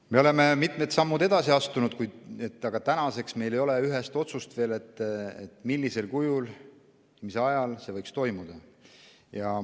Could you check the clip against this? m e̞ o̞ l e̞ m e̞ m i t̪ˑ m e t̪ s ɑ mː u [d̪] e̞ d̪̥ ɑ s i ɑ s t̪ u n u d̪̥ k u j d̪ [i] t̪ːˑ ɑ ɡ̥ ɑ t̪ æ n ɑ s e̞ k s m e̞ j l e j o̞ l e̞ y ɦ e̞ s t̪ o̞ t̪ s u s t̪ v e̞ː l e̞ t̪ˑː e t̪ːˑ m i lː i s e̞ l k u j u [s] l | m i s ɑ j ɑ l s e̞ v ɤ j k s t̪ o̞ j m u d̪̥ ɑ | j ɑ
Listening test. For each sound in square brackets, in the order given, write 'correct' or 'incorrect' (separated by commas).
correct, incorrect, incorrect